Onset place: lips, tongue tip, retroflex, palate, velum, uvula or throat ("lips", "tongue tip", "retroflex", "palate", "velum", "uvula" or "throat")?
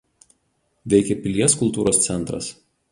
lips